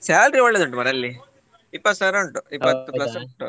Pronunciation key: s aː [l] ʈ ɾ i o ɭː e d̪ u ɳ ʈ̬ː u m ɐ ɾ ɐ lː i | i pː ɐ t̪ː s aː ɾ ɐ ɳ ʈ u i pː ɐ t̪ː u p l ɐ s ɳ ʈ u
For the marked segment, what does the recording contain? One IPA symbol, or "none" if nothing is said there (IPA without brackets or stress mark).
l